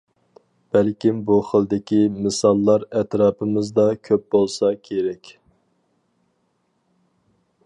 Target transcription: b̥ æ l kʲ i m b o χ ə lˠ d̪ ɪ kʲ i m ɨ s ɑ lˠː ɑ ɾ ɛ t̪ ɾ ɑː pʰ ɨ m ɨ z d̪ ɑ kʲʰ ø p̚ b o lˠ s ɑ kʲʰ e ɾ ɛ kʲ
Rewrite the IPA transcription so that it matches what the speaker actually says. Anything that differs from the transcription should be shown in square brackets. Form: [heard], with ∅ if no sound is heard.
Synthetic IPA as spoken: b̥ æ l kʲ i m b [u] χ ə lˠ d̪ ɪ kʲ i m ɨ s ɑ lˠː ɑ ɾ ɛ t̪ ɾ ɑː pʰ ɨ m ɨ z d̪ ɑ kʲʰ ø p̚ b o lˠ s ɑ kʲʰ e ɾ ɛ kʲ